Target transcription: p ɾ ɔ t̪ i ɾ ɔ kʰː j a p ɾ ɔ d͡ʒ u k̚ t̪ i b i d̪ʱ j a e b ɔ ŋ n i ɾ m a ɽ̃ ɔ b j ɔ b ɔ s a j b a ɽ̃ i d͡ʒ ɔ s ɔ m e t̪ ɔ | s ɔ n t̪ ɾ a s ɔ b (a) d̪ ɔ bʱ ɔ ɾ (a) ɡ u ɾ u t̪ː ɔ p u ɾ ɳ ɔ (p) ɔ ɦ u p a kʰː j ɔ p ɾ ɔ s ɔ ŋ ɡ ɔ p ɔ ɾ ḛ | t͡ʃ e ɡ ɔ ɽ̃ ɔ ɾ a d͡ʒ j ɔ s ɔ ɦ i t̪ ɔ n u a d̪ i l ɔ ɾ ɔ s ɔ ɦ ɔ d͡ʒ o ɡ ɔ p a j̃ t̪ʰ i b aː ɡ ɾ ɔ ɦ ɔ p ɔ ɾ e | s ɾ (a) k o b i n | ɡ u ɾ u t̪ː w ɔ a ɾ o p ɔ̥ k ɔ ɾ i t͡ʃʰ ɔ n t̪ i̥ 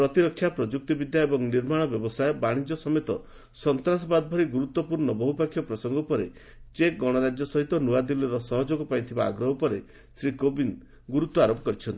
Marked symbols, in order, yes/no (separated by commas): yes, no, no, no